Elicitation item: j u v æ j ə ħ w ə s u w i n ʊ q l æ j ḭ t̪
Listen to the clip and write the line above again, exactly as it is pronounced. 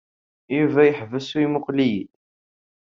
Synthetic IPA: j u v æ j ə ħ v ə s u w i m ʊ q l i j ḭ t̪